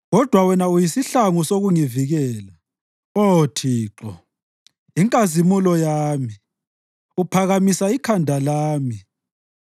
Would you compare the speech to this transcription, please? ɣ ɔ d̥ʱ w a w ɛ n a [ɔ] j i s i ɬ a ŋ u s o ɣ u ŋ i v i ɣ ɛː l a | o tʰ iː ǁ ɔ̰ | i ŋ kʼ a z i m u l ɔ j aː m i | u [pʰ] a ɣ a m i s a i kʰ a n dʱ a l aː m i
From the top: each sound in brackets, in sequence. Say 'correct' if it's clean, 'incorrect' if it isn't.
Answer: incorrect, correct

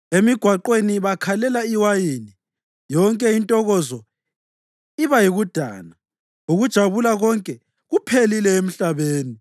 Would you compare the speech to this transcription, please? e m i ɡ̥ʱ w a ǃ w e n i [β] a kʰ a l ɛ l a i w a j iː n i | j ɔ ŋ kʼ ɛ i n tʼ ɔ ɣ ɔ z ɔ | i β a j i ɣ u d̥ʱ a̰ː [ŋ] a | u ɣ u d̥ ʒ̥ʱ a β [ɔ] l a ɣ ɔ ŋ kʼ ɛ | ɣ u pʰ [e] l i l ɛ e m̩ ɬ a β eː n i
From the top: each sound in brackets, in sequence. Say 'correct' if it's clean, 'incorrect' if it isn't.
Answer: correct, incorrect, incorrect, correct

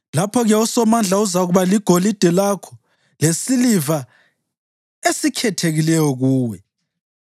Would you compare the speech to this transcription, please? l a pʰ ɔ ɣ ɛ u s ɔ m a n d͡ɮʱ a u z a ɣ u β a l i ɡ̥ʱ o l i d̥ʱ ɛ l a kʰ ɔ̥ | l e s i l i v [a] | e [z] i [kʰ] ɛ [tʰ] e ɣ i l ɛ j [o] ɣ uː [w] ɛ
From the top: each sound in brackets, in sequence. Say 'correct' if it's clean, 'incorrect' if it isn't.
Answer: correct, incorrect, correct, correct, incorrect, correct

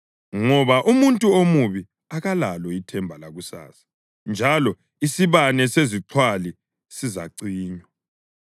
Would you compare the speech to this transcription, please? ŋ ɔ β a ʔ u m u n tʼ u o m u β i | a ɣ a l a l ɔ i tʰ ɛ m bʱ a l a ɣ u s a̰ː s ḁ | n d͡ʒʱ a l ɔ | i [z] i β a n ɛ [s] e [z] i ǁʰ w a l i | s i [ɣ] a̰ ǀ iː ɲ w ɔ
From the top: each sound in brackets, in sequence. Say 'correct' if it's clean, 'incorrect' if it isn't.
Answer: incorrect, correct, correct, incorrect

